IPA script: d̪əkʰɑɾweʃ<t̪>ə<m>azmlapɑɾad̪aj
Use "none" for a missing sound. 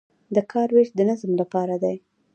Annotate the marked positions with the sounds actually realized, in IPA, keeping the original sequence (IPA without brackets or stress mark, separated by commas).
d̪, n